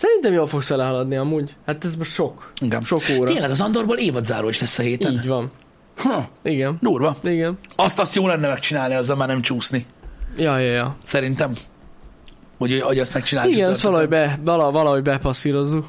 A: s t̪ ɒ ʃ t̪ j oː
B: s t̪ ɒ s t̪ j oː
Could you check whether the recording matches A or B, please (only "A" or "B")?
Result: B